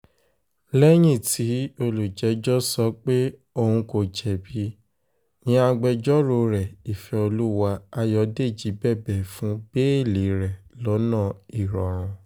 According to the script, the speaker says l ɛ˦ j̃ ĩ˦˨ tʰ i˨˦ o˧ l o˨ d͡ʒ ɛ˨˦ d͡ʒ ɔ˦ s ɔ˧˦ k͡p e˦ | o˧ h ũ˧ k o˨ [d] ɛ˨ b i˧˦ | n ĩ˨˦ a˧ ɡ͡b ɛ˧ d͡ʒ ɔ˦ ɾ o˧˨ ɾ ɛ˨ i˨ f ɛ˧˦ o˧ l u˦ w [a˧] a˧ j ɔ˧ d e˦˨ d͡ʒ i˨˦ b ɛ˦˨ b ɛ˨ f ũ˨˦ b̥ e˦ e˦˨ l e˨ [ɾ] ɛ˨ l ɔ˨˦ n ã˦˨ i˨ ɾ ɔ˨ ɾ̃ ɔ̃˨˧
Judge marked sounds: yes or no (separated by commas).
no, yes, yes